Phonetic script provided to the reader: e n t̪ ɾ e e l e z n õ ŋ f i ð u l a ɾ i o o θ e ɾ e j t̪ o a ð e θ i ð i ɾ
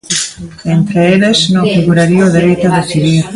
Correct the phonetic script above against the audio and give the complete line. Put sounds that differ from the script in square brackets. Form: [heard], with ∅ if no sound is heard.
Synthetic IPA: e n t̪ ɾ e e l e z n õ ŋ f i [ɣ] u [ɾ] a ɾ i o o [ð] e ɾ e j t̪ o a ð e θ i ð i ɾ